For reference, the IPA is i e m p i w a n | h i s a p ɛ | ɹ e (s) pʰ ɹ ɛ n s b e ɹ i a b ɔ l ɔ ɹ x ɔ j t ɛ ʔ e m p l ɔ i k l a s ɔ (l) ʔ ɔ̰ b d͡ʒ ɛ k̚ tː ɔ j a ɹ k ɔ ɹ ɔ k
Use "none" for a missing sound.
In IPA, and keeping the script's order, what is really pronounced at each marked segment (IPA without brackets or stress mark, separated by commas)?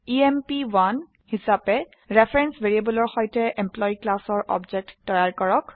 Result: none, ɹ